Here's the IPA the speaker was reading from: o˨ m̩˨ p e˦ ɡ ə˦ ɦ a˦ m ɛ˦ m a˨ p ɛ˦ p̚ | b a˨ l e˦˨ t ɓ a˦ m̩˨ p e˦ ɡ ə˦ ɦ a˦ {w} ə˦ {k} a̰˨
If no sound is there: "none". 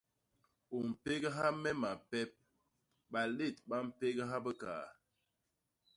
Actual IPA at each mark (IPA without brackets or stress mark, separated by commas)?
b, k